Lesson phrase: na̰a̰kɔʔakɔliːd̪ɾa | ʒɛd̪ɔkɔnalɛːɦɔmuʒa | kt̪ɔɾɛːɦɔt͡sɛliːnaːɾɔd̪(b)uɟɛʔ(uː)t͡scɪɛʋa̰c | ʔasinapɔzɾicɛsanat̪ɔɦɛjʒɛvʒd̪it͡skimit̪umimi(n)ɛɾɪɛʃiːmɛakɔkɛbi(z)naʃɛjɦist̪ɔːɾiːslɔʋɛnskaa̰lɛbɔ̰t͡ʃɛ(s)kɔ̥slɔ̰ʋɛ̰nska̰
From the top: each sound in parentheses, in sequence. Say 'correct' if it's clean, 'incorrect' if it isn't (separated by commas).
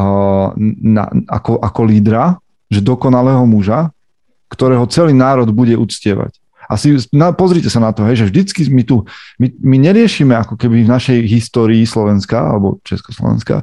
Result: correct, incorrect, incorrect, incorrect, correct